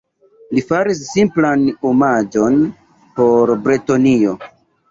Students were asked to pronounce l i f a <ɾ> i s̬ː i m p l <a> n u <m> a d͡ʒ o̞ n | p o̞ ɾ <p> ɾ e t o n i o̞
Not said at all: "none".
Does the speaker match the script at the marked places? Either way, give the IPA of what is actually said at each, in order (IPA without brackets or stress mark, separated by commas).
ɾ, a, m, b